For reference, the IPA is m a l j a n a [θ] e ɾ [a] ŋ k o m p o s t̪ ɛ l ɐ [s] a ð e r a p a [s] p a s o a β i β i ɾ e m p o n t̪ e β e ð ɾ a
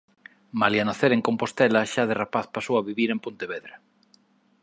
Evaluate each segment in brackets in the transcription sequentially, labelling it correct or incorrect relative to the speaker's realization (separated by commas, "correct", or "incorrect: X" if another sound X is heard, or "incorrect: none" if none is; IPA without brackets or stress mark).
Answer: correct, incorrect: e, incorrect: ʃ, incorrect: θ